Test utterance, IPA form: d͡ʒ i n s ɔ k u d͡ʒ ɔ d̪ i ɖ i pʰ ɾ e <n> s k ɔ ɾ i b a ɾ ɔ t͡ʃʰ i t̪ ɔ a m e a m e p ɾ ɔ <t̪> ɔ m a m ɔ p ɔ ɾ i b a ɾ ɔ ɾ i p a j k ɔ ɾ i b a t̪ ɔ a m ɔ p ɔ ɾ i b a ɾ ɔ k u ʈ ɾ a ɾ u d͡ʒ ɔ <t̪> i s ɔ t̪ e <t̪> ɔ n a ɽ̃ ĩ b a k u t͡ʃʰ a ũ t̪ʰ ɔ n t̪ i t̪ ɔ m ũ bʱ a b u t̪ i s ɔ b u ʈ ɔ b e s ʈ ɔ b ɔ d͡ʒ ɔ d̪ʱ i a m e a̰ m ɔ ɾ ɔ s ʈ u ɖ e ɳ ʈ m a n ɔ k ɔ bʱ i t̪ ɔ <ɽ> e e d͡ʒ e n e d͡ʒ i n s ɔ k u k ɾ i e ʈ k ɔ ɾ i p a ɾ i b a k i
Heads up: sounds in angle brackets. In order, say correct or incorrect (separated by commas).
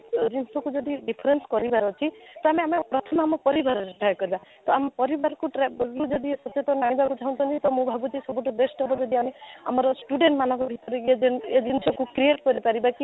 correct, incorrect, incorrect, correct, incorrect